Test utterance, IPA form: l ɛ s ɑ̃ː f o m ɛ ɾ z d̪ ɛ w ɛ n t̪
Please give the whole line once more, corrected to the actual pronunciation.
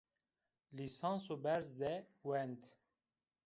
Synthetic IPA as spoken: l i s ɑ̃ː s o b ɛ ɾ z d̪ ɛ w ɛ n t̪